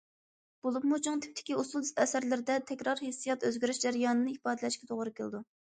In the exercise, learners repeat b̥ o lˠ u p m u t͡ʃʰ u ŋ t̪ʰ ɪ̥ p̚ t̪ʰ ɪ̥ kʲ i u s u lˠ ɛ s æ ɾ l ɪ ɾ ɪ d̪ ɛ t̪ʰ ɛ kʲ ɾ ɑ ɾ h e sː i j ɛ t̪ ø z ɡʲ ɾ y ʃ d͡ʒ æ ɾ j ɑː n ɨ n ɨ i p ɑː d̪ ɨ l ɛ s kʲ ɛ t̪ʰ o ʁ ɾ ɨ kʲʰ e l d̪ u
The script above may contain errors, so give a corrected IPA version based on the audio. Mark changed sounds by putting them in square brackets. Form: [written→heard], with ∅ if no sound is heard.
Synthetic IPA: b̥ o lˠ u p m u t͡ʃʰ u ŋ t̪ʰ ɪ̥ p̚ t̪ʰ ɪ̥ kʲ i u s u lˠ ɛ s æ ɾ l ɪ ɾ ɪ d̪ ɛ t̪ʰ ɛ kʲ ɾ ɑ ɾ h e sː i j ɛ t̪ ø z ɡʲ ɾ y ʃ d͡ʒ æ ɾ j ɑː n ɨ n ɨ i p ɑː d̪ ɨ l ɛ [s→ʃ] kʲ ɛ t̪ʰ o ʁ ɾ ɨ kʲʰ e l d̪ u